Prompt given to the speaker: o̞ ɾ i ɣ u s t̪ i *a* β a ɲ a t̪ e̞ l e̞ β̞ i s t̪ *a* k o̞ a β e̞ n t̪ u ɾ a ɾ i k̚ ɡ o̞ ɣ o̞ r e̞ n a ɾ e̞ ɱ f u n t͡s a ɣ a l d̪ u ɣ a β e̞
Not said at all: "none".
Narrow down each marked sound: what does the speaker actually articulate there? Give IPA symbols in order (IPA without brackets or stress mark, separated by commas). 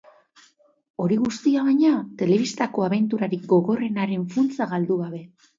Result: a, a